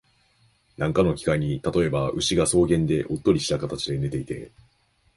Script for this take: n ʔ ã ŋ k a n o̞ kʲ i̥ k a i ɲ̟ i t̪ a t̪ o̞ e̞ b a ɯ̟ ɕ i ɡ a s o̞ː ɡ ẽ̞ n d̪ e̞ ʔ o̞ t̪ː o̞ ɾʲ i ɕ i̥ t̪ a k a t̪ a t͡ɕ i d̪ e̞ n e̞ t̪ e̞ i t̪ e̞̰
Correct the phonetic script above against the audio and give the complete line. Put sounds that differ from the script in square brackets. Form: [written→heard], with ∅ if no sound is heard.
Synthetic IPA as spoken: n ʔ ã ŋ k a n o̞ kʲ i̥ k a i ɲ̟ i t̪ a t̪ o̞ e̞ b a ɯ̟ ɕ i ɡ a s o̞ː ɡ ẽ̞ n d̪ e̞ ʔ o̞ t̪ː o̞ ɾʲ i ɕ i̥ t̪ a k a t̪ a t͡ɕ i d̪ e̞ n e̞ t̪ e̞ i t̪ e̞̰